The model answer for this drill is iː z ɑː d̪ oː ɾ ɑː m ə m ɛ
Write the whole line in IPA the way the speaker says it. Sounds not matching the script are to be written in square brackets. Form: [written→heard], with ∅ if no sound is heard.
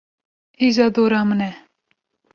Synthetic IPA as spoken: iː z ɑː d̪ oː ɾ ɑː m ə [m→n] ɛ